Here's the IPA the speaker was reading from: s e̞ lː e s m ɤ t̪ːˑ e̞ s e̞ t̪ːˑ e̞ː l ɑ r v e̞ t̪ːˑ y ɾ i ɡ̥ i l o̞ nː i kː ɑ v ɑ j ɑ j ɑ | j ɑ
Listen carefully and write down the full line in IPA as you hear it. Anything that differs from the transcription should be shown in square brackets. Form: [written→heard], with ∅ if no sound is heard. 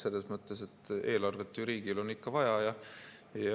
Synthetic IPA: s e̞ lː e s m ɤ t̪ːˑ e̞ s e̞ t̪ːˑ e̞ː l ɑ r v e̞ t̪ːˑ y ɾ [i→iː] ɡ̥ i l o̞ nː i kː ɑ v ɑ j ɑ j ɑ | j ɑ